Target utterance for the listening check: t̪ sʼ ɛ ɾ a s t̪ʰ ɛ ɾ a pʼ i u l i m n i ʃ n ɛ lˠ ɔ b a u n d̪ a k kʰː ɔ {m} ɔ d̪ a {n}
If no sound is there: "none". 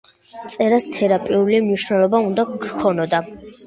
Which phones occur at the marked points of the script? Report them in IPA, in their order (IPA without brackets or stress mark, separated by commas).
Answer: n, none